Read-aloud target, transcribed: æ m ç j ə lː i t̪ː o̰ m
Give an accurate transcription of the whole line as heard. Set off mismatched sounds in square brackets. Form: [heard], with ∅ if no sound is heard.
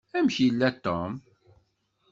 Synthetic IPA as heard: æ m ç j ə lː [æ] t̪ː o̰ m